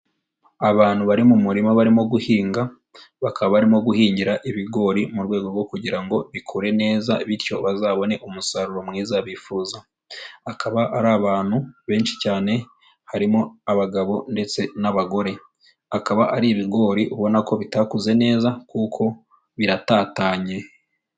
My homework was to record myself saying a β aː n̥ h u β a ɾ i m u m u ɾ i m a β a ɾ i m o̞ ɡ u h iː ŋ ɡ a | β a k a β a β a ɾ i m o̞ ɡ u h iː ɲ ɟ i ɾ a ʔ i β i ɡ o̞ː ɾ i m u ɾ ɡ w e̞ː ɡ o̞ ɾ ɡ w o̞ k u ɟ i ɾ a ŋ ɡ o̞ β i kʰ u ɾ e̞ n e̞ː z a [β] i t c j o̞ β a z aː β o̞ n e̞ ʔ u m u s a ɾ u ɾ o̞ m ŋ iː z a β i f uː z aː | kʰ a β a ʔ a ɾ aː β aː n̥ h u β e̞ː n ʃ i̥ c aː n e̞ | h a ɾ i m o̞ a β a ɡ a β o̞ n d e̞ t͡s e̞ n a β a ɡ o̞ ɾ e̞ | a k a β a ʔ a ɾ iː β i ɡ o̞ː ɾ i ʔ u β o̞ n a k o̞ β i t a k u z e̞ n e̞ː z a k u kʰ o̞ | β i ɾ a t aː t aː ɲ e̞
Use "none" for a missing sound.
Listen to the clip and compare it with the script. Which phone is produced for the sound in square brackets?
β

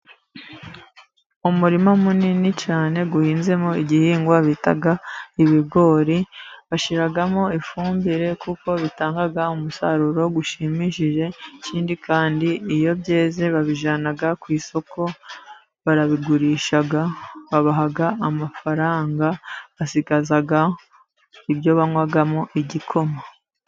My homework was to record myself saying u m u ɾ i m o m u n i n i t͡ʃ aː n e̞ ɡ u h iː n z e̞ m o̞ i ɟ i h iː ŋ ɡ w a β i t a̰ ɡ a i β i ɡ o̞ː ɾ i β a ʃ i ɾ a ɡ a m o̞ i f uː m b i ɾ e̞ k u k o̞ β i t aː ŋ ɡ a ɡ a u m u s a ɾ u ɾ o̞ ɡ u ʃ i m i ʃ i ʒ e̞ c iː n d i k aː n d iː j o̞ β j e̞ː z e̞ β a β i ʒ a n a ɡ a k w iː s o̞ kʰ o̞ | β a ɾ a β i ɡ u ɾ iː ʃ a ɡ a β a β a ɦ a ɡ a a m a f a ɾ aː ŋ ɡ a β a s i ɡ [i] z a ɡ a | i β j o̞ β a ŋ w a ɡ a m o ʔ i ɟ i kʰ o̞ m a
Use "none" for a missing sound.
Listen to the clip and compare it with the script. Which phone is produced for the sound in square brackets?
a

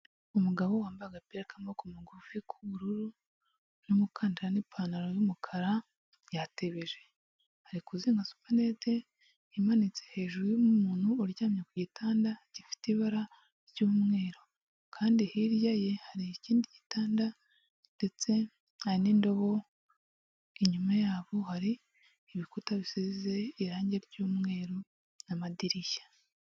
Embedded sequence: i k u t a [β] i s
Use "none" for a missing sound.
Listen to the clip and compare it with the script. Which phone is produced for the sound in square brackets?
β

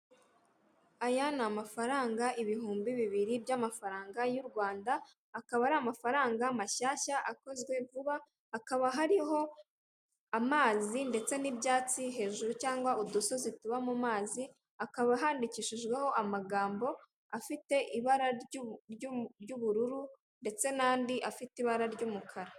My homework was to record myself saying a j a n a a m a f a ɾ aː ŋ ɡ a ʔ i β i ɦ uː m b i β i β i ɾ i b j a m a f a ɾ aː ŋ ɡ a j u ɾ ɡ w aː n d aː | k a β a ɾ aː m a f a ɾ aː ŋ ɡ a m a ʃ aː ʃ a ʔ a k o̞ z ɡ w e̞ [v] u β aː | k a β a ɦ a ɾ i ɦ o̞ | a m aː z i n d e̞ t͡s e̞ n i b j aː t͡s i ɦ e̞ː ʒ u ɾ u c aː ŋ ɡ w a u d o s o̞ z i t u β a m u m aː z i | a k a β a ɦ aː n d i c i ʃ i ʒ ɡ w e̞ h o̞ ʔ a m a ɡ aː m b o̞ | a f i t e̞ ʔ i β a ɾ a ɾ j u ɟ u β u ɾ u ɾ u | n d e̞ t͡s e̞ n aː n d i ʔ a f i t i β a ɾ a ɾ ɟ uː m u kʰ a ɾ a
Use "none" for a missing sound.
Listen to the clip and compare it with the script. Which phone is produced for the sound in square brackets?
v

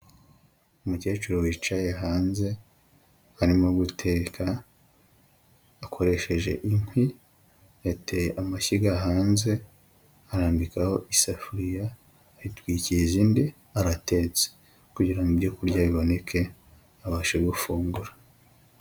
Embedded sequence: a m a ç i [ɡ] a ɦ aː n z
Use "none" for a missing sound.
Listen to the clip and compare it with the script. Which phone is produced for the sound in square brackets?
ɡ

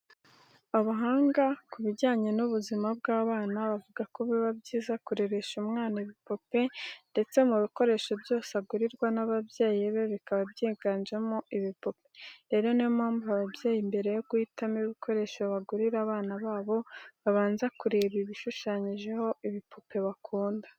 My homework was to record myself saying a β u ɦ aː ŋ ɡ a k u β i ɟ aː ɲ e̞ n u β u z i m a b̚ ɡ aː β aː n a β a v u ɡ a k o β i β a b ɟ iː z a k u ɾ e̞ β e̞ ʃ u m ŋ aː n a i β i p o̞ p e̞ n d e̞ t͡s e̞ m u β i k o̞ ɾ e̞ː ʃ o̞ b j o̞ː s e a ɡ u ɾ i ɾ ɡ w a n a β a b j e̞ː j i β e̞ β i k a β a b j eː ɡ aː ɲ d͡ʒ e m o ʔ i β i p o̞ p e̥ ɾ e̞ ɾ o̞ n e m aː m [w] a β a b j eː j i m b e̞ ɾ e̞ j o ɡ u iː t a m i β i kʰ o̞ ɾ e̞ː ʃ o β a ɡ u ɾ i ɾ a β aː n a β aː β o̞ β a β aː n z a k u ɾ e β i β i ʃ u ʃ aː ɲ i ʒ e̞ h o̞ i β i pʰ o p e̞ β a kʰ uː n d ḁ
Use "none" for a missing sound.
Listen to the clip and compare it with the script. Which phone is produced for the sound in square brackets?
b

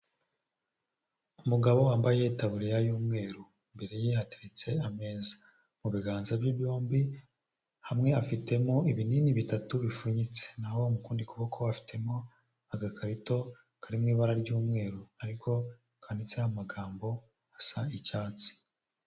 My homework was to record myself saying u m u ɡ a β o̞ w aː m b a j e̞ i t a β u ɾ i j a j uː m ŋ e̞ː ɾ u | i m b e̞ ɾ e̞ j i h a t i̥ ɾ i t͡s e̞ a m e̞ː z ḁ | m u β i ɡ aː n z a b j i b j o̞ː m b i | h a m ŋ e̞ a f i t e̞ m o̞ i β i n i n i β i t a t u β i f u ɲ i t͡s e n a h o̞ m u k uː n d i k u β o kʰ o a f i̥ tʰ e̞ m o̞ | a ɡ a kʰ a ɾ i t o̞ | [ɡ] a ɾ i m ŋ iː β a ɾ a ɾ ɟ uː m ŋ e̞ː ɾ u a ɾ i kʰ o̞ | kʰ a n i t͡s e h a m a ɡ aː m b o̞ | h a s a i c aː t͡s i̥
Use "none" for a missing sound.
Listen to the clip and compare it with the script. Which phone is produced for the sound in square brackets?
k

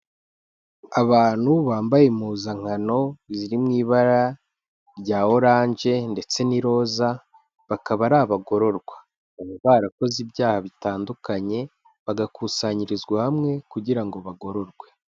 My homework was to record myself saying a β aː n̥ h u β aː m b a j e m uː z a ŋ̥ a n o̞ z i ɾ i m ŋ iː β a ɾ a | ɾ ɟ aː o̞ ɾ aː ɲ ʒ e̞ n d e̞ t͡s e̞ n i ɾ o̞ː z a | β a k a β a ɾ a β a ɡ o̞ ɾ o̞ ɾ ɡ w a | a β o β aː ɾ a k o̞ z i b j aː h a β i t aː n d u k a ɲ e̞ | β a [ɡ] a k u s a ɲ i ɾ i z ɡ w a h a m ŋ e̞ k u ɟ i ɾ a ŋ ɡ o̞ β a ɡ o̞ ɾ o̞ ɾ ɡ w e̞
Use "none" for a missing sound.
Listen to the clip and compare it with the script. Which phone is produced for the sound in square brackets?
ɡ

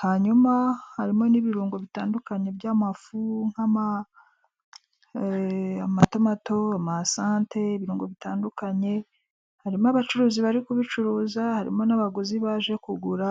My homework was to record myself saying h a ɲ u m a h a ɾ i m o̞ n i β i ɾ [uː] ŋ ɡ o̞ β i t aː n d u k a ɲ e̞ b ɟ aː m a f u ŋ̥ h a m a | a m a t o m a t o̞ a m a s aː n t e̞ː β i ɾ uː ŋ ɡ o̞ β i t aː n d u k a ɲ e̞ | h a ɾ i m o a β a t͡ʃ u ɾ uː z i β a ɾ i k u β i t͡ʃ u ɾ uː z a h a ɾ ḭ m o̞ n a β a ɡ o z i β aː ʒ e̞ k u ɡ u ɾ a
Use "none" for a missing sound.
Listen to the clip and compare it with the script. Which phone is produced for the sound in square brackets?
uː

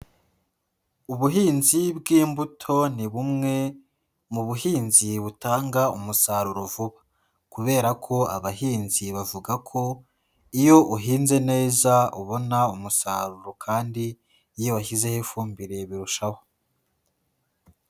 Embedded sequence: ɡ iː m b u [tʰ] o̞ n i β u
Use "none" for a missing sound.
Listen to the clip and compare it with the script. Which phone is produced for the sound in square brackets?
tʰ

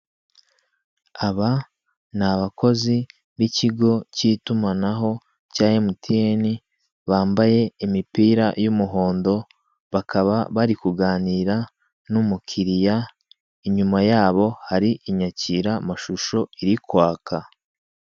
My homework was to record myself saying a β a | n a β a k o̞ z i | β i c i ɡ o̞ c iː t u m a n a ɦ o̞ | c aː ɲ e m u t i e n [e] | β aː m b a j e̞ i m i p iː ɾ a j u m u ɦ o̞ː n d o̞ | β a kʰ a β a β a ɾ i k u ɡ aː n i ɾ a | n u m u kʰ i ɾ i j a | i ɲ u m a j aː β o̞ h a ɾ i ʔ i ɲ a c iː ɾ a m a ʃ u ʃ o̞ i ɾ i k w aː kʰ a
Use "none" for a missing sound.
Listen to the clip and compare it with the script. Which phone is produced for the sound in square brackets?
i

